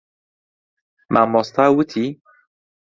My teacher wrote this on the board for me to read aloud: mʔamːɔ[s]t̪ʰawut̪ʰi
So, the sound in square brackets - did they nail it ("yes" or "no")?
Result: yes